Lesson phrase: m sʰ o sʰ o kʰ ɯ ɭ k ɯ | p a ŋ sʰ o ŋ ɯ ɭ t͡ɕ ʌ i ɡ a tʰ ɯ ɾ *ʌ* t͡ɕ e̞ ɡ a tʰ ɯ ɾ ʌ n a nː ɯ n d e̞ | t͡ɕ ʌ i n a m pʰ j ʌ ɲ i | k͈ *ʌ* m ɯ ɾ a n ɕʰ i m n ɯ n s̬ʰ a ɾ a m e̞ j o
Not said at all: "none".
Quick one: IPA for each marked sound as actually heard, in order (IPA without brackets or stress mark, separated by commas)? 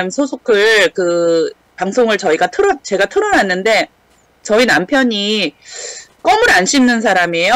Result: ʌ, ʌ